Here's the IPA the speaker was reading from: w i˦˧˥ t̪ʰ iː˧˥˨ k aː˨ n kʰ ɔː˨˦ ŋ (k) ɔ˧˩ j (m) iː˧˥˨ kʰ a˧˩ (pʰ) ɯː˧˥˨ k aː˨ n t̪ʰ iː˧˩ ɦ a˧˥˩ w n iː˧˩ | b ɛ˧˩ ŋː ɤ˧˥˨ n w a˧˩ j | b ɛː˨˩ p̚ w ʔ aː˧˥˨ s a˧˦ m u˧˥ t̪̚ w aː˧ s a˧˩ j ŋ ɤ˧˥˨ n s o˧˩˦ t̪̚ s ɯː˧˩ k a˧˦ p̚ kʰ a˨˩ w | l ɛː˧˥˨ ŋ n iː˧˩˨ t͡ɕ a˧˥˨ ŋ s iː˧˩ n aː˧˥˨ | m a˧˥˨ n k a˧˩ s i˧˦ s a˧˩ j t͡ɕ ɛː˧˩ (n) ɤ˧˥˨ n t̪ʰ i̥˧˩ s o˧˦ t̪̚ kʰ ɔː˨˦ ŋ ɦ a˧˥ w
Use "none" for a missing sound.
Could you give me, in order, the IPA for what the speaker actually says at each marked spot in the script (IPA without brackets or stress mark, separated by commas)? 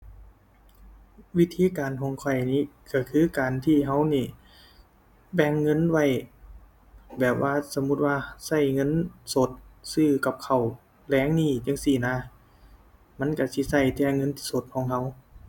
kʰ, n, kʰ, ŋ